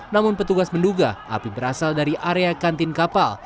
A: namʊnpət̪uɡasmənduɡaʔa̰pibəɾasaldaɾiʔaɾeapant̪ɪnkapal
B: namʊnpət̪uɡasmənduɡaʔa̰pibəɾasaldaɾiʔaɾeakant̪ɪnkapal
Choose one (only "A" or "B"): B